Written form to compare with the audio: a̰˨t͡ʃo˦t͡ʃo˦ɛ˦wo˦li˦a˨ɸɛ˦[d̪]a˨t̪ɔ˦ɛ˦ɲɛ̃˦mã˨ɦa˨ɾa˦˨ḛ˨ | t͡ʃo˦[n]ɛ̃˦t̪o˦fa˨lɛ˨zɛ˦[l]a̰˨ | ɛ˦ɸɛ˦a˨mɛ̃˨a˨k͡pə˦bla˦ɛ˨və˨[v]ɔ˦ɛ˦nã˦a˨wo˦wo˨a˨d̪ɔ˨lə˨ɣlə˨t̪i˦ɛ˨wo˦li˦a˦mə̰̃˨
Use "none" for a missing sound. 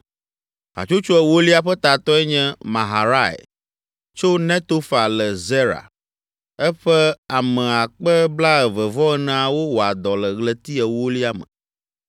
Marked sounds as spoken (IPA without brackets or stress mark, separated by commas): t̪, n, ɾ, v